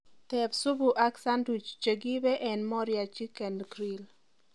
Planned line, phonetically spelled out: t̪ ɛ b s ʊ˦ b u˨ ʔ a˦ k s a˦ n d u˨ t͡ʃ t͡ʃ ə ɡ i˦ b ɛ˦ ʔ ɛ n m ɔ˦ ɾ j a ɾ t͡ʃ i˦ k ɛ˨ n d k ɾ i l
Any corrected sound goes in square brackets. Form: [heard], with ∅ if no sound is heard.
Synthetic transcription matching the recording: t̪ ɛ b s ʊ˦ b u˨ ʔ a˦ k s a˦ n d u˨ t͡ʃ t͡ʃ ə ɡ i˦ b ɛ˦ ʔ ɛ n m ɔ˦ ɾ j a [∅] t͡ʃ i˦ k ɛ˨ n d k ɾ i l